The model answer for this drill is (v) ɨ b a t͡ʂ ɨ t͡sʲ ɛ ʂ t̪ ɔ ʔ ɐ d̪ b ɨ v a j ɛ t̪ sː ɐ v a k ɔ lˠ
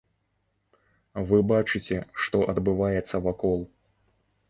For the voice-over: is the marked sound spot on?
yes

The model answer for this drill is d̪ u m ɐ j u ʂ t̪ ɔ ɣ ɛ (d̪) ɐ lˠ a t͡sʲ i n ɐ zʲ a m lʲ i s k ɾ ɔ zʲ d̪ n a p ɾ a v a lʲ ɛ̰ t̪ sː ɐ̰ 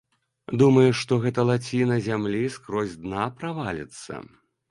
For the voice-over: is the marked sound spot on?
no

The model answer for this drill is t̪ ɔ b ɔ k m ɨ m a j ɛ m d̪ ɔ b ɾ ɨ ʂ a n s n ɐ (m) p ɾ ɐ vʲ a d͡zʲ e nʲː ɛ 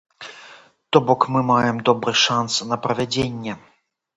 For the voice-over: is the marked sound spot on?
no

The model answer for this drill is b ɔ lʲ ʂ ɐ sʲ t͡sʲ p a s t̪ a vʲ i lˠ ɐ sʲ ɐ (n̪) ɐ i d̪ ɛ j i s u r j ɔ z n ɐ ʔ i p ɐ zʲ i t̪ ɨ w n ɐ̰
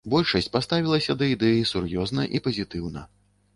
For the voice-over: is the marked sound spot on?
no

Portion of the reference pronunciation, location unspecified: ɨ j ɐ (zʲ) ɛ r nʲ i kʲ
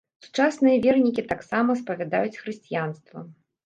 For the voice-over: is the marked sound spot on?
no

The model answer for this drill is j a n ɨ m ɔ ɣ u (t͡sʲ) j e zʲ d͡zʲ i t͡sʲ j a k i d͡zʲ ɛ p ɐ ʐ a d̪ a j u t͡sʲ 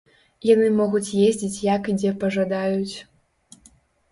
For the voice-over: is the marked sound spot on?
yes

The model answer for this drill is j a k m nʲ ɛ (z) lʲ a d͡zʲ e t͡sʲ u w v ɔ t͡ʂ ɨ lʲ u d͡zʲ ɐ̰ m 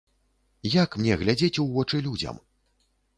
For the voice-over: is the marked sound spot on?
no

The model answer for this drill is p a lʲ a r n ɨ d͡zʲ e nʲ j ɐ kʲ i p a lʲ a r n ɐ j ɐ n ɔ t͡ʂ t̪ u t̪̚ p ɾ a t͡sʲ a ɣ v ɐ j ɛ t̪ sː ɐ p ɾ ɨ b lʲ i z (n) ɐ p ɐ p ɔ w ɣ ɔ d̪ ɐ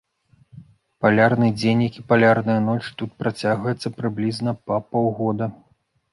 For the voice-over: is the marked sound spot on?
yes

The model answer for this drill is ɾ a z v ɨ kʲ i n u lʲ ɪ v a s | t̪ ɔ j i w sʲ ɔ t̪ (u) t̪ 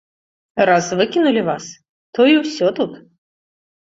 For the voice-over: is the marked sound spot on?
yes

